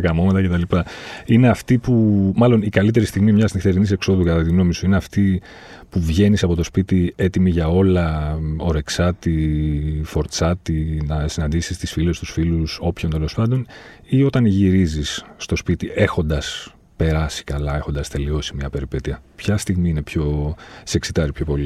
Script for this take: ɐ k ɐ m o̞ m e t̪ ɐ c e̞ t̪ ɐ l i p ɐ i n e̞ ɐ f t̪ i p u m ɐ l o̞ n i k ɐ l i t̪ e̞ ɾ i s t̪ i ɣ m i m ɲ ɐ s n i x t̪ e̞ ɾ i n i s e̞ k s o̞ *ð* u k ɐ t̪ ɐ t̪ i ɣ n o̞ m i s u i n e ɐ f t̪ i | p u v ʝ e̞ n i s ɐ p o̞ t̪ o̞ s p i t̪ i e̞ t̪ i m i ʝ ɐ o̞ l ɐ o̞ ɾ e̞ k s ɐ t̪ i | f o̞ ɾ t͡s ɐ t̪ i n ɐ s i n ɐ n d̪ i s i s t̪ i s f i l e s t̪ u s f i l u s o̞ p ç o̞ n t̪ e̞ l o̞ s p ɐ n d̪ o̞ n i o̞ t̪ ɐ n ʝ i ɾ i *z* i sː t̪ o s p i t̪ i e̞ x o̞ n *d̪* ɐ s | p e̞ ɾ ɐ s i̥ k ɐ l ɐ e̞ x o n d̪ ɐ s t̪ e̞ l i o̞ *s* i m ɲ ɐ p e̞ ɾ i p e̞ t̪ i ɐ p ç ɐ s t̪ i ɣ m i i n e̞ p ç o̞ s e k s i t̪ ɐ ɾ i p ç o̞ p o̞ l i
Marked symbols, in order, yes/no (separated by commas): yes, yes, yes, yes